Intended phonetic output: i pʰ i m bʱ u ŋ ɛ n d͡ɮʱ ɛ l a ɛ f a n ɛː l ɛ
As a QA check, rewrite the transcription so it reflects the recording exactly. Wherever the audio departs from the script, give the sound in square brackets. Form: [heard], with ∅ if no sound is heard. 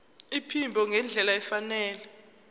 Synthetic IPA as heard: i pʰ i m bʱ [ɔ] ŋ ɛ n d͡ɮʱ ɛ l a ɛ f a n ɛː l ɛ